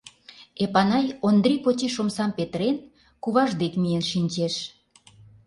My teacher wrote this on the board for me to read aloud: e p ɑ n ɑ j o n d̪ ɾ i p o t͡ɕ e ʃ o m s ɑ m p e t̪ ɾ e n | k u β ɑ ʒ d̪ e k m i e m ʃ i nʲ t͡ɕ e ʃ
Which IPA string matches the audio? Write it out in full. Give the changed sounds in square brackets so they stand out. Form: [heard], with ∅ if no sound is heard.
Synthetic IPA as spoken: e p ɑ n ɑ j o n d̪ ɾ i p o t͡ɕ e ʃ o m s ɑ m p e t̪ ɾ e n | k u β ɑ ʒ d̪ e k m i e [n] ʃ i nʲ t͡ɕ e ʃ